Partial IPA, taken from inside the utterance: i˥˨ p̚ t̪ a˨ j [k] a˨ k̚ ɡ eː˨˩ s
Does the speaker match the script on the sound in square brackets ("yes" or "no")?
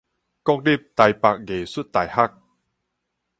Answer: no